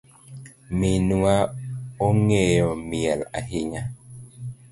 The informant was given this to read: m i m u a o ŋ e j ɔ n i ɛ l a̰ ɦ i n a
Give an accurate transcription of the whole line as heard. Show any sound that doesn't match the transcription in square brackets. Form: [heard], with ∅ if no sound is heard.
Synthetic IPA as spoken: m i [n] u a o ŋ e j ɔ [m] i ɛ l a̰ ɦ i [ɲ] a